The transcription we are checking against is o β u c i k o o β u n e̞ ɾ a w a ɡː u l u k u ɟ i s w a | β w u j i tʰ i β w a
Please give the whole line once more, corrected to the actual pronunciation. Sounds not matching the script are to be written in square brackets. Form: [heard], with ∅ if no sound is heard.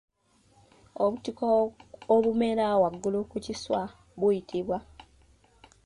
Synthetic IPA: o β u [t] i k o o β u [m] e̞ ɾ a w a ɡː u l u k u [c] i s w a | β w u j i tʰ i β w a